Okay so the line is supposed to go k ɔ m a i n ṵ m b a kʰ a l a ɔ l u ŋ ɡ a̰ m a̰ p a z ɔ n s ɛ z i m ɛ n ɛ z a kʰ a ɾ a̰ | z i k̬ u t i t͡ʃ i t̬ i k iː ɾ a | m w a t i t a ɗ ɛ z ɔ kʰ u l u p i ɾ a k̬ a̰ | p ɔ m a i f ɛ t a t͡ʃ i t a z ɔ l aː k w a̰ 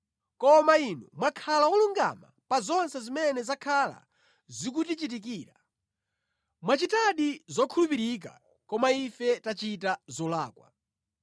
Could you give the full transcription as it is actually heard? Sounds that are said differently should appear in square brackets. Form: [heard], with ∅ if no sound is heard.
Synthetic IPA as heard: k ɔ m a i n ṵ m [w] a kʰ a l a ɔ l u ŋ ɡ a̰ m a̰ p a z ɔ n s ɛ z i m ɛ n ɛ z a kʰ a [l] a̰ | z i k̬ u t i t͡ʃ i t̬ i k iː ɾ a | m w a [t͡ʃ] i t a ɗ [i] z ɔ kʰ u l u p i ɾ [i] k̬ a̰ | [k] ɔ m a i f ɛ t a t͡ʃ i t a z ɔ l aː k w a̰